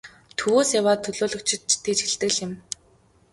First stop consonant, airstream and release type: aspirated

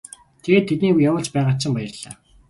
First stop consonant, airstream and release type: aspirated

